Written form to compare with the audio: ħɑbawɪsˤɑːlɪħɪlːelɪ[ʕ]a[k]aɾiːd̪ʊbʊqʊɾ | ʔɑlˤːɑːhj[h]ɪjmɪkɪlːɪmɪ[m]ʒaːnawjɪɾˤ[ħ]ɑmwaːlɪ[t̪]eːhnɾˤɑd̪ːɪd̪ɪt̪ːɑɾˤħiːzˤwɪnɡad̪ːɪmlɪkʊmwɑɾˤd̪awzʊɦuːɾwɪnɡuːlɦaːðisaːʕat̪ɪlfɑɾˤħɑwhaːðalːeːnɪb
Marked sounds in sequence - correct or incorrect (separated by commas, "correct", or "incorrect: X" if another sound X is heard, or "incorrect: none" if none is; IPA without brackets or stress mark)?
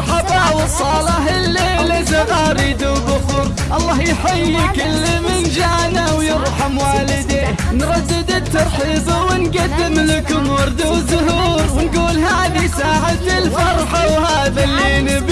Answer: incorrect: z, incorrect: ʔ, incorrect: ħ, incorrect: n, correct, incorrect: d̪